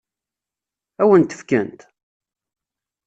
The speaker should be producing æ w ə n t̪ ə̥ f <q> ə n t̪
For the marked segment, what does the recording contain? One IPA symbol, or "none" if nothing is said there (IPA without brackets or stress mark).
k